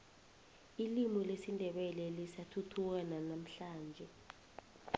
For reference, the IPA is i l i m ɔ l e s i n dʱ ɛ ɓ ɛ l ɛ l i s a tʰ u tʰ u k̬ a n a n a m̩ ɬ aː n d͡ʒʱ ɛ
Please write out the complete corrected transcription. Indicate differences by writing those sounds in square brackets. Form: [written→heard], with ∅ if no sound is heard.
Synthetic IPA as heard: i l i m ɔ l e s i n dʱ ɛ ɓ ɛ l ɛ l i s a tʰ u tʰ u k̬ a n a n a m̩ ɬ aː n d͡ʒʱ ɛ

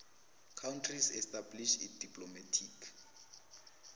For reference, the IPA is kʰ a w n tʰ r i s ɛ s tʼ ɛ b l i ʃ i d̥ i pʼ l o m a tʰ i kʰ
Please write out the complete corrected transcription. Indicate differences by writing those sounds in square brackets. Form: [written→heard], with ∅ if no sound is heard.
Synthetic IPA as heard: kʰ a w n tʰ r i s ɛ s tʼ [ɛ→a] b l i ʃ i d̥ i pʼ l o m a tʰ i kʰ

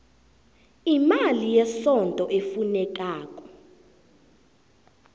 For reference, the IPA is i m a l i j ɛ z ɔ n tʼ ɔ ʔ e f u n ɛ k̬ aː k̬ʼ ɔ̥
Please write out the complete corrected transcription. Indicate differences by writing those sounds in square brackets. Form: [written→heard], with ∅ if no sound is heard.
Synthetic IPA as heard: i m a l i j ɛ [z→s] ɔ n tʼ ɔ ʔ e f u n ɛ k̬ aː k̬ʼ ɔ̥

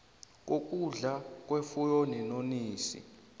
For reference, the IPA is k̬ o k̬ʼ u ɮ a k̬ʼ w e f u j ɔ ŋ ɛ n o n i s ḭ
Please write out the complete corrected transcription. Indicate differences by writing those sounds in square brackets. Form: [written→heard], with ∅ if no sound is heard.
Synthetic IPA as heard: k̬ o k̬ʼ u ɮ a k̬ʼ w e f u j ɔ [ŋ→n] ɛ n o n [i→iː] s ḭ

